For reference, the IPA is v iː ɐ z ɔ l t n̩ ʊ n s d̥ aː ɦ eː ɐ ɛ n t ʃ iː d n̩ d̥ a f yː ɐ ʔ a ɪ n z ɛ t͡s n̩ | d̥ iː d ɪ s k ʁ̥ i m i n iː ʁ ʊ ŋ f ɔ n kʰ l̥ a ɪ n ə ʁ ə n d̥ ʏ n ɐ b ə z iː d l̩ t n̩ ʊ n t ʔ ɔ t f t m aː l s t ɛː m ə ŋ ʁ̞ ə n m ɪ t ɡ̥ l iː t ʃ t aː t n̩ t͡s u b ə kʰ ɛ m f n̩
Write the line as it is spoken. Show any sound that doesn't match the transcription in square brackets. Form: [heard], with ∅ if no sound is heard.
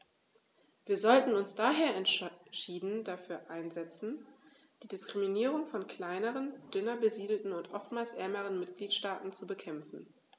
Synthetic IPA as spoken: v iː ɐ z ɔ l t n̩ ʊ n s d̥ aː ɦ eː ɐ ɛ n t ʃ iː d n̩ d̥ a f yː ɐ ʔ a ɪ n z ɛ t͡s n̩ | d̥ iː d ɪ s k ʁ̥ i m i n iː ʁ ʊ ŋ f ɔ n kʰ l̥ a ɪ n ə ʁ ə n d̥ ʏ n ɐ b ə z iː d l̩ t n̩ ʊ n t ʔ ɔ [∅] f t m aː l s [ʔ] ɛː m ə [∅] ʁ̞ ə n m ɪ t ɡ̥ l iː t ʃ t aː t n̩ t͡s u b ə kʰ ɛ m f n̩